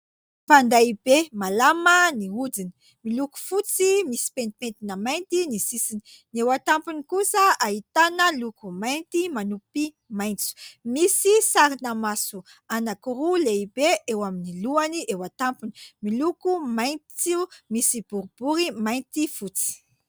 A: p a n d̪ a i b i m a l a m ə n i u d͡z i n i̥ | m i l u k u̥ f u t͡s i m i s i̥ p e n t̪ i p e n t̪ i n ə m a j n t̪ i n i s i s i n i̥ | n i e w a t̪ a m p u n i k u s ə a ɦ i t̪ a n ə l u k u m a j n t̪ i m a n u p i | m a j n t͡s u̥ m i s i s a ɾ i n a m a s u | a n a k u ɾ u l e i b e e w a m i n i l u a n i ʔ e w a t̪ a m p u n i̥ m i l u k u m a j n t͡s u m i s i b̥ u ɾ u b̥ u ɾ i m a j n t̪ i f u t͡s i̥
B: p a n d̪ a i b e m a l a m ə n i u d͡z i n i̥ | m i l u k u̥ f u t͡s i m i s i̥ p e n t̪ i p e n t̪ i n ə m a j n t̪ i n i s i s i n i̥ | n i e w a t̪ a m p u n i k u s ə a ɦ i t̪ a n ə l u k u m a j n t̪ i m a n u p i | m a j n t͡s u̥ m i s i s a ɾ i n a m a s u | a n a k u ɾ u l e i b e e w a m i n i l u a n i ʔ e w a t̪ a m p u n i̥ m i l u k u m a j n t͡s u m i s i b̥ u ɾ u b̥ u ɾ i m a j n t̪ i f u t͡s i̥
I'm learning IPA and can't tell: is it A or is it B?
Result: B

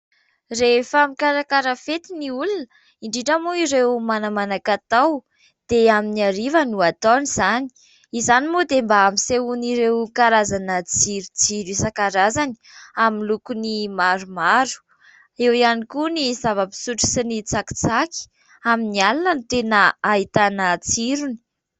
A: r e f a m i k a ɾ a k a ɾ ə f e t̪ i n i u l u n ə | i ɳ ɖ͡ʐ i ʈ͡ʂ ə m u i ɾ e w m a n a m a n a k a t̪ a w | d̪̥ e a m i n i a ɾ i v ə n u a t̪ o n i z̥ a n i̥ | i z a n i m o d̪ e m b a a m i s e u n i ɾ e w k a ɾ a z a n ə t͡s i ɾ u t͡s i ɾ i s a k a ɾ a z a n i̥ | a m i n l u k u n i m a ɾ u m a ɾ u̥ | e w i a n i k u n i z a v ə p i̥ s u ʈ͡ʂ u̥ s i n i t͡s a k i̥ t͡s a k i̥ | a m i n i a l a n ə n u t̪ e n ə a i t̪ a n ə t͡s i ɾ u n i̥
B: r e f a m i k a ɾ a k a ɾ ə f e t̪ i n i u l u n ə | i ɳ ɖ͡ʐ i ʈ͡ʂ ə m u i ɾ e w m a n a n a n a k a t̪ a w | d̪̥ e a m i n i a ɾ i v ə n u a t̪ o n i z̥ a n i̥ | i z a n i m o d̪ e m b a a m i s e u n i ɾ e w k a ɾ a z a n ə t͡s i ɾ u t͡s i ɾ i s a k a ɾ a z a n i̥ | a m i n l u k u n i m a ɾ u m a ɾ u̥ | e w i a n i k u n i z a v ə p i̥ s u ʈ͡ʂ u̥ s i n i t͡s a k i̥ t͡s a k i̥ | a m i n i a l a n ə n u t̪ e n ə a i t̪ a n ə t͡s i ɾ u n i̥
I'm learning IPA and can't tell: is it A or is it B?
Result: A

